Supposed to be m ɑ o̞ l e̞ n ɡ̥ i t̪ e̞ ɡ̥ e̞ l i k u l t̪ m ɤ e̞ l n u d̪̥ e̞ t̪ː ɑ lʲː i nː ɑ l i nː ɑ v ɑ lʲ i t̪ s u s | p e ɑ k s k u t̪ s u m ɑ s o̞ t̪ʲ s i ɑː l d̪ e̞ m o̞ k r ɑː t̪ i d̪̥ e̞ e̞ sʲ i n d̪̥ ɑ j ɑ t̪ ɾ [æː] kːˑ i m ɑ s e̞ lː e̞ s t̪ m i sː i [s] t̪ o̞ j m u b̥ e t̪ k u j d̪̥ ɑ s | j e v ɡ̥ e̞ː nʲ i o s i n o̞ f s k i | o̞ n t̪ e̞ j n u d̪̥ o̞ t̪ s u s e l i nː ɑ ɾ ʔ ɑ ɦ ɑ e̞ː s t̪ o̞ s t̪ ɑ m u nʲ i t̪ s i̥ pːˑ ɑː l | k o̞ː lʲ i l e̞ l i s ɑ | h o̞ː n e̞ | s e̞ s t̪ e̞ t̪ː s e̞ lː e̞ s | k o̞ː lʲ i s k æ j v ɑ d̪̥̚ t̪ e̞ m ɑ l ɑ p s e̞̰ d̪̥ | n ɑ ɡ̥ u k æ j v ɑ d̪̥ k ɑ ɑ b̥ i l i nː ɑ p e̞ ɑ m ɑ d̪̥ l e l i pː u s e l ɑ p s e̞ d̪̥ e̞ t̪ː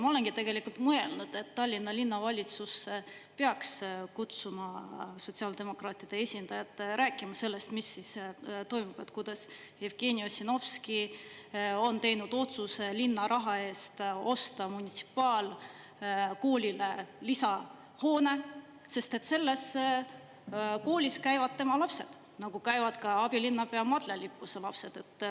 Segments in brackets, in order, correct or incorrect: correct, correct

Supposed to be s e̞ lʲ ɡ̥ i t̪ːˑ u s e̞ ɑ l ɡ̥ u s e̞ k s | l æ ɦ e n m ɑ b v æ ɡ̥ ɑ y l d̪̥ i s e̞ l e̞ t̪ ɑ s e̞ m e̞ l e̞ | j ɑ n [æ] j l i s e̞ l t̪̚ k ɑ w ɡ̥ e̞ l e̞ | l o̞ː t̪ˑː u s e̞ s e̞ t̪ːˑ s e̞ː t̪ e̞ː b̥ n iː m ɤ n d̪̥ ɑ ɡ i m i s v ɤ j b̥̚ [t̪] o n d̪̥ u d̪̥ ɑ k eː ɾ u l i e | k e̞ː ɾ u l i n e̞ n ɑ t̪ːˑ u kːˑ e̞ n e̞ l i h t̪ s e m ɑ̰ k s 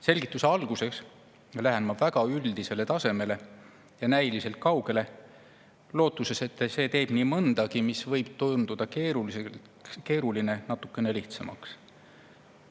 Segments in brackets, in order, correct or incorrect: correct, correct

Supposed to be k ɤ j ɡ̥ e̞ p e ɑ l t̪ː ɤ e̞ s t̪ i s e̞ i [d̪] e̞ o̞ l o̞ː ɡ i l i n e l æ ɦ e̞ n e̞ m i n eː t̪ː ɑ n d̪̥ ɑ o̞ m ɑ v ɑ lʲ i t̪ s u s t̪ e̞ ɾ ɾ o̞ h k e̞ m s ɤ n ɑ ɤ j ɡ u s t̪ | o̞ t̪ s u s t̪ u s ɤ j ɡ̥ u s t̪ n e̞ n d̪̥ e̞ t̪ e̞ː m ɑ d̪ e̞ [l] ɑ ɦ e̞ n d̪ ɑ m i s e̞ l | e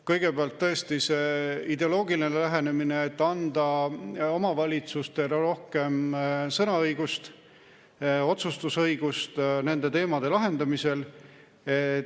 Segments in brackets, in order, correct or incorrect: correct, correct

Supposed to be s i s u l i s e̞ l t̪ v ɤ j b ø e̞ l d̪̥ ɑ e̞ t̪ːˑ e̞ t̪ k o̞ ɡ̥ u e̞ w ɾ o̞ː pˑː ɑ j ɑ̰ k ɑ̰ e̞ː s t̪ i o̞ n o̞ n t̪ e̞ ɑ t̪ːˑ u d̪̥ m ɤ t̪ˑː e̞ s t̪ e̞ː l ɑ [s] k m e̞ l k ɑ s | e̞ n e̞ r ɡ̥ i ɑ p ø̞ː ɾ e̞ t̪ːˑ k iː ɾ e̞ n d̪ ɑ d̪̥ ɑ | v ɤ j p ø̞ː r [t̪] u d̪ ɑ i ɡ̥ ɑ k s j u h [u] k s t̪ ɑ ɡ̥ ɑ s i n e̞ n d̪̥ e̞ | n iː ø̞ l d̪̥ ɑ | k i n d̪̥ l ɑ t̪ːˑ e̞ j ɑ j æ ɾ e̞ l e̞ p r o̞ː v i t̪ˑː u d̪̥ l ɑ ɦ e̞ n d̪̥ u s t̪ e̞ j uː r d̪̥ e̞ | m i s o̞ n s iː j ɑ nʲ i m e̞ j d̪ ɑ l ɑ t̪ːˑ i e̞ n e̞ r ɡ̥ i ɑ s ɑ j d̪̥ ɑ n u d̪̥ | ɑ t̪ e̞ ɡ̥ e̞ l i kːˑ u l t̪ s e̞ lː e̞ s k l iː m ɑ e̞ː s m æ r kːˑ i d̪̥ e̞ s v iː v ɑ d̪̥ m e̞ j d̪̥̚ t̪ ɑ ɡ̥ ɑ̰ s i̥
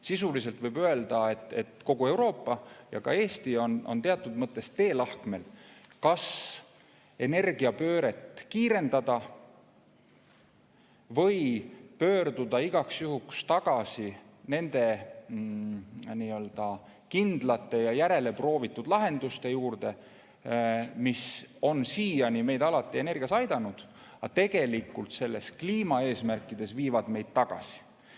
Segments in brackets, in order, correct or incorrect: incorrect, incorrect, correct

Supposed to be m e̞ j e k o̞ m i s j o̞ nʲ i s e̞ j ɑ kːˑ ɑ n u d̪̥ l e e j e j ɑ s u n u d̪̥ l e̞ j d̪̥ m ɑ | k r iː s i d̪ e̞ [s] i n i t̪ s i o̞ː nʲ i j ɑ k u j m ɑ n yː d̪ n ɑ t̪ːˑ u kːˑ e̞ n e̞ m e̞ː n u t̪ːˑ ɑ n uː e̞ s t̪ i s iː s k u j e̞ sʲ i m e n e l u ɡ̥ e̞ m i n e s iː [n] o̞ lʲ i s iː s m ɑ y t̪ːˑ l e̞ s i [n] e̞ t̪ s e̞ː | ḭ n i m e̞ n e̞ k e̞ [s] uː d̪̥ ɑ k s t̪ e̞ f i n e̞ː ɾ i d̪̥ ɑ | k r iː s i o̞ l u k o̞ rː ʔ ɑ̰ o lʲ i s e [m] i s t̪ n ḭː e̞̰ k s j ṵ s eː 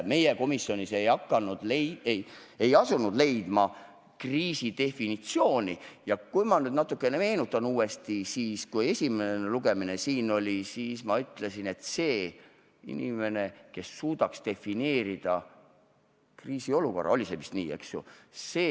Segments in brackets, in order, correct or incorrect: incorrect, correct, correct, incorrect, correct

